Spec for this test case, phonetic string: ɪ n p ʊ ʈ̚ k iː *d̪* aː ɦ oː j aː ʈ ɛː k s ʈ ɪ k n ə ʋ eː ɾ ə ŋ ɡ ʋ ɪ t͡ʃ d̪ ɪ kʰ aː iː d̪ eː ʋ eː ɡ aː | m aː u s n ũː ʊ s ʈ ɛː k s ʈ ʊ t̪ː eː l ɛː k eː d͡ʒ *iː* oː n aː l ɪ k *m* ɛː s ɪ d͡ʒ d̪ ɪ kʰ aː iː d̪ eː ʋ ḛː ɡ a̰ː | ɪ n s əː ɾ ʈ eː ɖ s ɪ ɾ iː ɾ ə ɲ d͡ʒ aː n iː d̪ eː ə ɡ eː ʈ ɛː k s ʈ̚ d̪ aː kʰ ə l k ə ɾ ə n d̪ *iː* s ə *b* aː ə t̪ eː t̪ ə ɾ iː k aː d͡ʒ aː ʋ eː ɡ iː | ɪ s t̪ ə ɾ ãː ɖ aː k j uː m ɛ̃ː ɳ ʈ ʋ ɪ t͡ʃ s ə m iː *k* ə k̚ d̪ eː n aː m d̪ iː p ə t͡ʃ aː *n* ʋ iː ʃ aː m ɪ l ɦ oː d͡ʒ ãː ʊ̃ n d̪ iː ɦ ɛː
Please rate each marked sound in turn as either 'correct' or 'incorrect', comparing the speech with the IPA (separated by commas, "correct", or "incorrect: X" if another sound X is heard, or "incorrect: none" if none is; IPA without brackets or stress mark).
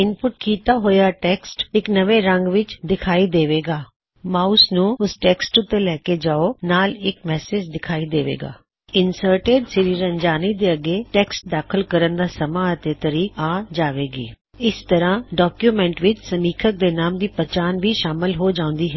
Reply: incorrect: t̪, incorrect: aː, correct, incorrect: aː, incorrect: m, incorrect: kʰ, correct